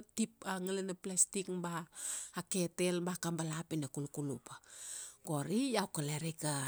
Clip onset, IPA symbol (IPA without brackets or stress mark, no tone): t